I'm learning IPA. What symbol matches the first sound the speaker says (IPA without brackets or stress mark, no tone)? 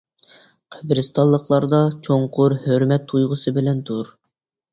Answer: qʰ